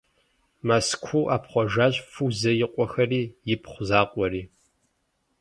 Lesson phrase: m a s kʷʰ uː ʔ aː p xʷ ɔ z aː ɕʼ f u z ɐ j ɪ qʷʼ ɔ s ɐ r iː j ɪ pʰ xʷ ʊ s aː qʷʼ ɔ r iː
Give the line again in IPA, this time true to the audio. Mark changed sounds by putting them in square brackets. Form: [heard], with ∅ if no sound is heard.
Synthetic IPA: m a s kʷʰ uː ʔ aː p [χʷ] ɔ [ʒ] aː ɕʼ f u z ɐ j ɪ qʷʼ ɔ [x] ɐ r iː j ɪ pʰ [χʷ] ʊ [z] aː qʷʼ ɔ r iː